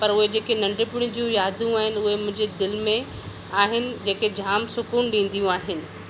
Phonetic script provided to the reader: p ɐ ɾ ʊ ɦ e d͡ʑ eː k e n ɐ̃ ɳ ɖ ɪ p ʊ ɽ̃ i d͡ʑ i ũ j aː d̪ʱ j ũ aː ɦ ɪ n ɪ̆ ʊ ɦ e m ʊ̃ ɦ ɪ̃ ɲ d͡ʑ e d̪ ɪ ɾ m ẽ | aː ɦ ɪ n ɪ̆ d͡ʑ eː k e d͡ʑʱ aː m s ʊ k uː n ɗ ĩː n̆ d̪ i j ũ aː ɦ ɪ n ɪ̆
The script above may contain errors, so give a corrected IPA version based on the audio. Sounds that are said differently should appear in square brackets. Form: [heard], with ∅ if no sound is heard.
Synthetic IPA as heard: p ɐ ɾ ʊ ɦ e d͡ʑ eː k e n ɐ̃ ɳ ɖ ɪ p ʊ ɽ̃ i d͡ʑ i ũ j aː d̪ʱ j ũ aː ɦ ɪ n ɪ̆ ʊ ɦ e m ʊ̃ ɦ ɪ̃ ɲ d͡ʑ e d̪ ɪ [l] m ẽ | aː ɦ ɪ n ɪ̆ d͡ʑ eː k e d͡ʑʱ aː m s ʊ k uː n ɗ ĩː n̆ d̪ i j ũ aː ɦ ɪ n ɪ̆